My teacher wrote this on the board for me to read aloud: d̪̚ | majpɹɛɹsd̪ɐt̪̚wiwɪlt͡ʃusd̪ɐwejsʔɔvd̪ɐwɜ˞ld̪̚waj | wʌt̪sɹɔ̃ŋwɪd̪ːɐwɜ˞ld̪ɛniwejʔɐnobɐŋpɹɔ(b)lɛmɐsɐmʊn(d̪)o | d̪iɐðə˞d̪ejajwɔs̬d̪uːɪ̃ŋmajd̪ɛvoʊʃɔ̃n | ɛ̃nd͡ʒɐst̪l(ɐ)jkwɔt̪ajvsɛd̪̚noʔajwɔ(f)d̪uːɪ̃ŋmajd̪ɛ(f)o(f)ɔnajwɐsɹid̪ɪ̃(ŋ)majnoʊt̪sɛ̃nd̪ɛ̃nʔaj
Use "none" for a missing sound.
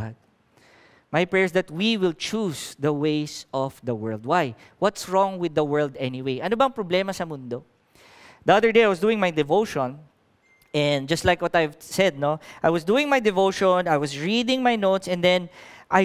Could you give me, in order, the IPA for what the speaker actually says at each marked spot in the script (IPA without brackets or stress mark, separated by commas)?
b, d̪, a, s, v, ʃ, ŋ